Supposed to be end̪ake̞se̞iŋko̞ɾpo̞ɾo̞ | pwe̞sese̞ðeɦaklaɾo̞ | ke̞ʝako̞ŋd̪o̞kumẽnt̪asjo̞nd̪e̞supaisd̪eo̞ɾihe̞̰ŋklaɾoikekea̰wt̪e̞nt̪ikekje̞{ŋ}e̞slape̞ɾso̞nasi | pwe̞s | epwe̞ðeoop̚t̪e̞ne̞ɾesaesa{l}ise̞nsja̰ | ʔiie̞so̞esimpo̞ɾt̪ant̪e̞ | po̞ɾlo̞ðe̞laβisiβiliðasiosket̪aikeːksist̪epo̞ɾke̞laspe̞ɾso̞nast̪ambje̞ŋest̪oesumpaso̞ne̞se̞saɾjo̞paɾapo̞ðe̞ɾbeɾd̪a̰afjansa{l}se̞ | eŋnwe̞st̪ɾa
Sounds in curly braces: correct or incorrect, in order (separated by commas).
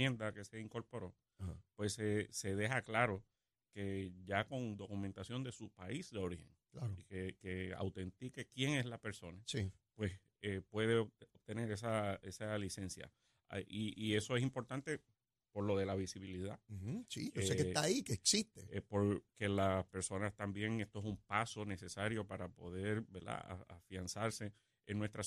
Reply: correct, correct, incorrect